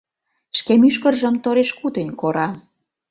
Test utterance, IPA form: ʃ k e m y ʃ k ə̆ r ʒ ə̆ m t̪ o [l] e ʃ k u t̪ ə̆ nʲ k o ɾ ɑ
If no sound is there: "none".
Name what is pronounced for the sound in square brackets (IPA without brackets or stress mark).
ɾ